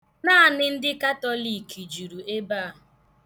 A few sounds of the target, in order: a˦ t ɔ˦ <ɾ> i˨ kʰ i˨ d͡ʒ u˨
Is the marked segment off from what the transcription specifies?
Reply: yes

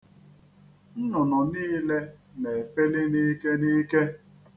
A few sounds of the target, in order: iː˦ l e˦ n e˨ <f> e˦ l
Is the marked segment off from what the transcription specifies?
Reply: no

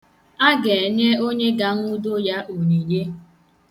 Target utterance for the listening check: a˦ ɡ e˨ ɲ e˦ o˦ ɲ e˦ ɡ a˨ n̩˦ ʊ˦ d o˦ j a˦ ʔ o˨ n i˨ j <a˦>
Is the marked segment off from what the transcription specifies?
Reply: yes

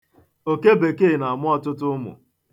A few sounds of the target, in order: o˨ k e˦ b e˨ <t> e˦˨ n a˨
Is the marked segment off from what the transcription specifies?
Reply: yes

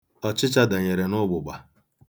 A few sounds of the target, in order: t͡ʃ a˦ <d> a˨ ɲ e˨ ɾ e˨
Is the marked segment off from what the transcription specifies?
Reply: no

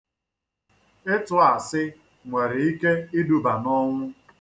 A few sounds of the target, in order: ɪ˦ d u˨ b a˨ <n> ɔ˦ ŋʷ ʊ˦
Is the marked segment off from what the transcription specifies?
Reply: no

